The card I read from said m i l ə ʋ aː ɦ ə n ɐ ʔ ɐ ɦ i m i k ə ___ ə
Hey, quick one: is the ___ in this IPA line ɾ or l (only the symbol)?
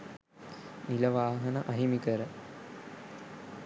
ɾ